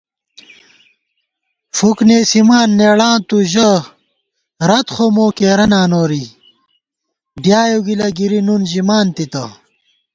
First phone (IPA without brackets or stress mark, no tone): f